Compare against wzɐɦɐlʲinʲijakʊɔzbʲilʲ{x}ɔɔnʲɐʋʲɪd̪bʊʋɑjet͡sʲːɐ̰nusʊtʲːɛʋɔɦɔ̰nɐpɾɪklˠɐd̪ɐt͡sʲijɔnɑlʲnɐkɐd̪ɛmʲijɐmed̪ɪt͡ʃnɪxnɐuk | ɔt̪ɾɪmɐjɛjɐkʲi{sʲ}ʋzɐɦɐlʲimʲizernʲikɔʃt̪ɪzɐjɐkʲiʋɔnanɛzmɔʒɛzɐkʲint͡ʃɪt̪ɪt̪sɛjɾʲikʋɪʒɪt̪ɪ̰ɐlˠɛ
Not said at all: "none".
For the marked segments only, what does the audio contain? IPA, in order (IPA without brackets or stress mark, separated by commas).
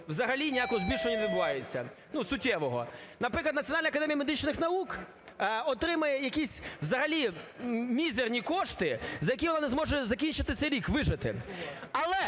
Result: ʃ, sʲ